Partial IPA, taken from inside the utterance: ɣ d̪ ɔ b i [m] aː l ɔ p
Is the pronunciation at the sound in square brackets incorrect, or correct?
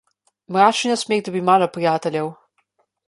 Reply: correct